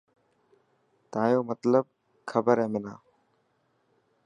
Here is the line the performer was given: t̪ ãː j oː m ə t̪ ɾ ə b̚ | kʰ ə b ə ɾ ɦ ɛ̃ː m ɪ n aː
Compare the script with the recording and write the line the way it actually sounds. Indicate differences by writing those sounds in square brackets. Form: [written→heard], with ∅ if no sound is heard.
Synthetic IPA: t̪ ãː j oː m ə t̪ [ɾ→l] ə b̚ | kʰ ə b ə ɾ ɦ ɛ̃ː m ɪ n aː